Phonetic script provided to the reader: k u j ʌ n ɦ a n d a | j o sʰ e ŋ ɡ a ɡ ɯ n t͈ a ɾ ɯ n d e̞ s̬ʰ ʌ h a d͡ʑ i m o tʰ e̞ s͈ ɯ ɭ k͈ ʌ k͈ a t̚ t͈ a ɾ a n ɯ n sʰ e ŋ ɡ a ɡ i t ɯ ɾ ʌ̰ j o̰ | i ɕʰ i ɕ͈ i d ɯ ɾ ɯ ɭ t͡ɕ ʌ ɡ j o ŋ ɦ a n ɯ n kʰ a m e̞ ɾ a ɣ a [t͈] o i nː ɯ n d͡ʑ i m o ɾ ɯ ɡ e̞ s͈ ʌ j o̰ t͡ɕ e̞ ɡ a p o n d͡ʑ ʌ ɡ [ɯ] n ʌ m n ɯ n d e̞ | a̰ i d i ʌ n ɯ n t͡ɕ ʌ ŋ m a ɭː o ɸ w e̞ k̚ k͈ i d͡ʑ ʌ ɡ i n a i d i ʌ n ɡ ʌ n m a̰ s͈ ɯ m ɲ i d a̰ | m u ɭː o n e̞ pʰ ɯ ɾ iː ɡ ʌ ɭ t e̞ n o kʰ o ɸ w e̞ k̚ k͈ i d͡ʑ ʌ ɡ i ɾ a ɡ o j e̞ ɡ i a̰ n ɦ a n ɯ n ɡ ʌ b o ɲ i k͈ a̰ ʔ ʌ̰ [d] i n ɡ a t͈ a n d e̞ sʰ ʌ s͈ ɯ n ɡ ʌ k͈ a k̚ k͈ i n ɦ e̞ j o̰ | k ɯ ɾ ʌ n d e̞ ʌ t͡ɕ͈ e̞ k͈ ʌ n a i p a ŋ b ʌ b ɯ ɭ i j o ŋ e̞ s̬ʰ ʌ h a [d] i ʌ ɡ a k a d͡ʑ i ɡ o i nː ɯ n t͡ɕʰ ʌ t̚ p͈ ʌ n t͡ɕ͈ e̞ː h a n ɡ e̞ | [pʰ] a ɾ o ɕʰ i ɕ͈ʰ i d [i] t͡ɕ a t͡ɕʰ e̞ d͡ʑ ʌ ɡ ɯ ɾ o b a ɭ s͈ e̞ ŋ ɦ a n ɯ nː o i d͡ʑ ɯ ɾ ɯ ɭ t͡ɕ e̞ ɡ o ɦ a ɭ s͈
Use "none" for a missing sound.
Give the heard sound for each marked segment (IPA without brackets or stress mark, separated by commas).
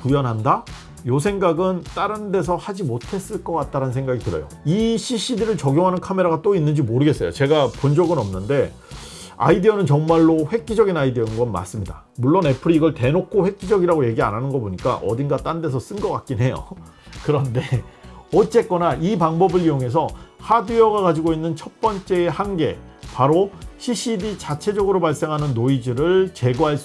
t͈, ɯ, d, d, p, i